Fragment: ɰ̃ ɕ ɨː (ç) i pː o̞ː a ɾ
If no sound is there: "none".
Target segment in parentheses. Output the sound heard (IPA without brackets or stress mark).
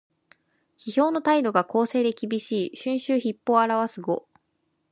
ç